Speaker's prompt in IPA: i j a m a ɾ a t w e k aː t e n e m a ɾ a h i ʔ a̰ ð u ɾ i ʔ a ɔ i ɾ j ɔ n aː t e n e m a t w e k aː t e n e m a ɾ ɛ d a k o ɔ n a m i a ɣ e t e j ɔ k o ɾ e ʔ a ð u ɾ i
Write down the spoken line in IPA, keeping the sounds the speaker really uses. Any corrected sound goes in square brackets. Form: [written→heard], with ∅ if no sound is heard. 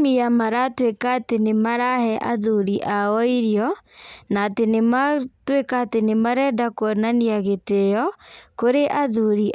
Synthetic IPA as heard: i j a m a ɾ a t w e k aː t e n e m a ɾ a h [i→ɛ] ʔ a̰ ð u ɾ i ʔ a ɔ i ɾ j ɔ n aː t e n e m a t w e k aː t e n e m a ɾ ɛ d a k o ɔ n a [m→n] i a ɣ e t e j ɔ k o ɾ e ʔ a ð u ɾ i